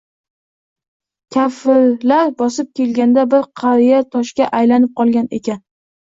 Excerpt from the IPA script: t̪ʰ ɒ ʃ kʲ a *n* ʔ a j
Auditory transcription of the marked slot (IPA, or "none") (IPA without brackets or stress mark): none